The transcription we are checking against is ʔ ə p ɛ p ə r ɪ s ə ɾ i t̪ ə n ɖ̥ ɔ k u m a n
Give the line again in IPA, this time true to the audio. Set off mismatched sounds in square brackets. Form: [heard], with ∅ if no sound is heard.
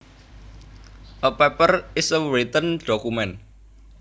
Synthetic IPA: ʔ ə p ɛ p ə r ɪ s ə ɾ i t̪ ə n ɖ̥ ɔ k u m [ɛ] n

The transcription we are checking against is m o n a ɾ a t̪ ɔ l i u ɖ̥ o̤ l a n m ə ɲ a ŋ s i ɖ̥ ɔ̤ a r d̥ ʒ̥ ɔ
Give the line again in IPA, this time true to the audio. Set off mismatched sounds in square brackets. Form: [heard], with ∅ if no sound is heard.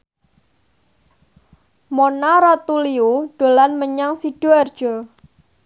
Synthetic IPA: m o n a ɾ a t̪ [u] l i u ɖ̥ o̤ l a n m ə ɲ a ŋ s i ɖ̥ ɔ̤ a r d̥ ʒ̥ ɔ

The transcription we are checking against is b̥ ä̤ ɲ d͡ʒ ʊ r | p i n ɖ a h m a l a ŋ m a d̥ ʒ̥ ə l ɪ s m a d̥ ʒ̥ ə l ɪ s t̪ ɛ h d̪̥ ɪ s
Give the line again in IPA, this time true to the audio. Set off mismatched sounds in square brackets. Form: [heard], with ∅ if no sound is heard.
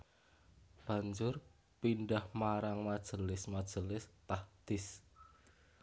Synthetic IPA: b̥ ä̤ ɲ d͡ʒ ʊ r | p i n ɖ a h m a [ɾ] a ŋ m a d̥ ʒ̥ ə l ɪ s m a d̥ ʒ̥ ə l ɪ s t̪ [a] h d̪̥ ɪ s

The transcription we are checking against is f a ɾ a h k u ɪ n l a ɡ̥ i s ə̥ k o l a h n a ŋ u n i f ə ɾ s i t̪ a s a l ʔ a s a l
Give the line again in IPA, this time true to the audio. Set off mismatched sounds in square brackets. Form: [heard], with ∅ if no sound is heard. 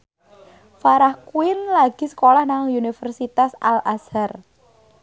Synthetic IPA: f a ɾ a h k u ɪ n l a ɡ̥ i s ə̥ k o l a h n a ŋ u n i f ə [r] s i t̪ a s a l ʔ a s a [r]

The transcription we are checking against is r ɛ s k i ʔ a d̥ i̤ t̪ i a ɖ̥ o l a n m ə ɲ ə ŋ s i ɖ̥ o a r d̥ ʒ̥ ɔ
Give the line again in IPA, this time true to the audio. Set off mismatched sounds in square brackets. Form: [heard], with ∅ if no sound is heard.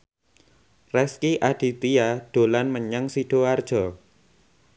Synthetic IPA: r ɛ s k i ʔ a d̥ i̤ t̪ i a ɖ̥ o l a n m ə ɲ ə ŋ s i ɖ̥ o a r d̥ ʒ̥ ɔ

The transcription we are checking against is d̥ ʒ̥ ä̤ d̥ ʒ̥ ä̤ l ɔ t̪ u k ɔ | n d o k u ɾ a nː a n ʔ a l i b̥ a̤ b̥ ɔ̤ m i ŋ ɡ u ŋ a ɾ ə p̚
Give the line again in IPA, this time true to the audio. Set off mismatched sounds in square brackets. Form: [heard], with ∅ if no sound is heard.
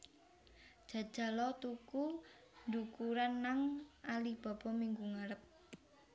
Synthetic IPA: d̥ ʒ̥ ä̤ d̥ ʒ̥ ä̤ l ɔ t̪ u k [u] | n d [u] k u ɾ a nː a [ŋ] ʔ a l i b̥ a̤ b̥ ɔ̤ m i ŋ ɡ u ŋ a ɾ ə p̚

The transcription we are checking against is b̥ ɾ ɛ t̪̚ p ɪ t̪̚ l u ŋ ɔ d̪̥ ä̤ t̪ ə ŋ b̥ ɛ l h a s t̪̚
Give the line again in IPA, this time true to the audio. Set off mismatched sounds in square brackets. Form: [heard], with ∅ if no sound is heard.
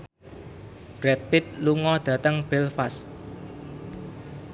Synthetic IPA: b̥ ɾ ɛ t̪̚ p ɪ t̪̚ l u ŋ ɔ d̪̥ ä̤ t̪ ə ŋ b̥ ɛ l [f] a s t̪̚

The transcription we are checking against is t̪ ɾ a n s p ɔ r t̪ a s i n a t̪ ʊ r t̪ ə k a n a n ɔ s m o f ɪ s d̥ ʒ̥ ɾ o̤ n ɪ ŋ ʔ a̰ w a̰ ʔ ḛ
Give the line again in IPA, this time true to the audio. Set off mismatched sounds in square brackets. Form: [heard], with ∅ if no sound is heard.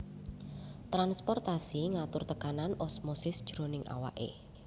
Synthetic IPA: t̪ ɾ a n s p ɔ r t̪ a s i [ŋ] a t̪ ʊ r t̪ ə k a n a n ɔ s m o [s] ɪ s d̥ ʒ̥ ɾ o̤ n ɪ ŋ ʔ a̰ w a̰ ʔ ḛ

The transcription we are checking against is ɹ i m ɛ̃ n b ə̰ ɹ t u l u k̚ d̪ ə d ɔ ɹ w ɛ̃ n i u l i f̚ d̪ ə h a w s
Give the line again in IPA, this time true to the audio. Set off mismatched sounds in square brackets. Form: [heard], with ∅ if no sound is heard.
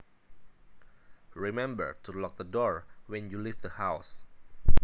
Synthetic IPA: ɹ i m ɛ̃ [m] b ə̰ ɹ t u l [ɔ] k̚ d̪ ə d ɔ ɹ w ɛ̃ n [j] u l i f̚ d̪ ə h a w s

